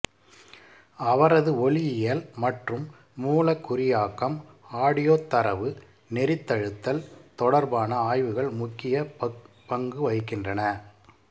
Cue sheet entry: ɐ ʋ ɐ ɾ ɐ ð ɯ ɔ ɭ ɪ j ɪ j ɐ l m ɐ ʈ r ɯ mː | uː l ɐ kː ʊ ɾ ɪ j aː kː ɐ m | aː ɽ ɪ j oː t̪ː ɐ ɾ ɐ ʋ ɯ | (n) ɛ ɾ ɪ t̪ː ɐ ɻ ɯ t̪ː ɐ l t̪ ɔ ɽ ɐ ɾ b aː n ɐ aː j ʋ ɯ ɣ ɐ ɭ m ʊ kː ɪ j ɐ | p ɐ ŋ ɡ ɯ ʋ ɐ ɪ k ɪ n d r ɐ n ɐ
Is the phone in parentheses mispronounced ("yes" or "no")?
no